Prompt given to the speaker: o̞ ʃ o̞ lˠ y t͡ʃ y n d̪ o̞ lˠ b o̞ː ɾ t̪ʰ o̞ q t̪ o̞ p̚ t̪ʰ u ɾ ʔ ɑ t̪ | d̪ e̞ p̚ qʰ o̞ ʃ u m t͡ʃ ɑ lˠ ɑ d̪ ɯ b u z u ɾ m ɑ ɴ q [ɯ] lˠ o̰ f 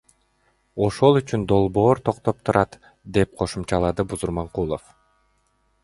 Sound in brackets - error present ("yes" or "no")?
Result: yes